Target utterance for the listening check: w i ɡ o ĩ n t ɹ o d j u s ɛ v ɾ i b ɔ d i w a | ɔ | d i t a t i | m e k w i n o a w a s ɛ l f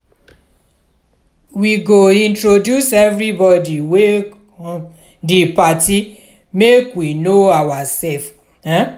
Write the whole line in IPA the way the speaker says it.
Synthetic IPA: w i ɡ o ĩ n t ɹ o d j u s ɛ v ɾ i b ɔ d i w e | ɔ | d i p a t i | m e k w i n o a w a s ɛ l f